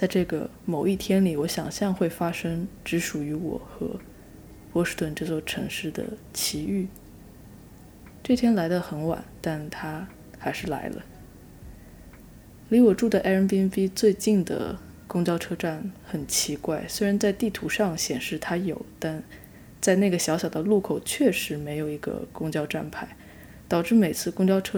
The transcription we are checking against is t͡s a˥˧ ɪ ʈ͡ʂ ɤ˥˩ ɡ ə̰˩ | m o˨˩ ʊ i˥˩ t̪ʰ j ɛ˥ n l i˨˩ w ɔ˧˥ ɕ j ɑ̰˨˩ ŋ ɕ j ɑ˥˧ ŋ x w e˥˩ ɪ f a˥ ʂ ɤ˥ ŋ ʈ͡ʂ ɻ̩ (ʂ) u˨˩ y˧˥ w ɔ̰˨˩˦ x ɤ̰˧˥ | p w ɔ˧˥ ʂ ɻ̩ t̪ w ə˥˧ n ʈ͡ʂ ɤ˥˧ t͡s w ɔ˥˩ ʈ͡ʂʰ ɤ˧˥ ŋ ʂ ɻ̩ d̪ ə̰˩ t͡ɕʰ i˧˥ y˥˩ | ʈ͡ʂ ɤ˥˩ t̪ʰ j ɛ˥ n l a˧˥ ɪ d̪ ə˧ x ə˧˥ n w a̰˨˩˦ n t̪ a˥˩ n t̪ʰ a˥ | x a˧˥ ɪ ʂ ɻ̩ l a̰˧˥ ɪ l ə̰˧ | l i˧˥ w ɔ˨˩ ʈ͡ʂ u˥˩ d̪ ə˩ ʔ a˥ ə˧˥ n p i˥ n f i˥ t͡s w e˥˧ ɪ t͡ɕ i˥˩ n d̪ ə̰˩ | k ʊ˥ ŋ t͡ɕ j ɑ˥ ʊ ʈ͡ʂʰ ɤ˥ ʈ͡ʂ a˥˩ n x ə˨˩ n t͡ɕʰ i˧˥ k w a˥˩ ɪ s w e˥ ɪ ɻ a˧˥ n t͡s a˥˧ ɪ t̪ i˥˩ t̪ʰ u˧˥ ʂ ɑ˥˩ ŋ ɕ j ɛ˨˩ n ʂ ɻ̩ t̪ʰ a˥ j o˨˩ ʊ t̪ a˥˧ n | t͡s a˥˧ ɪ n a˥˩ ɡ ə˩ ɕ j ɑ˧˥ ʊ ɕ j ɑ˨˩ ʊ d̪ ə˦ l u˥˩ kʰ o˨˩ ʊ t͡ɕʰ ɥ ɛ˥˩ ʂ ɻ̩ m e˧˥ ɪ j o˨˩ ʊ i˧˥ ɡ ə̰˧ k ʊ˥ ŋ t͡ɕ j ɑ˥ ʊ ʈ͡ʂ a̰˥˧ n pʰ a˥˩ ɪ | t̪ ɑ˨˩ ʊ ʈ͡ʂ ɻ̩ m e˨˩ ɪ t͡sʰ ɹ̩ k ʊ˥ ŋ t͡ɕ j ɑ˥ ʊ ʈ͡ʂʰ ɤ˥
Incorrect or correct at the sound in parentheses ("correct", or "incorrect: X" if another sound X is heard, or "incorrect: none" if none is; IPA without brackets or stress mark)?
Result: correct